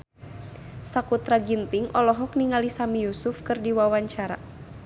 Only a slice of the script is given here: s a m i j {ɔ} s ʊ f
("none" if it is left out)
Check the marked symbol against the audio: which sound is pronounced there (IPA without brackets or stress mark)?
u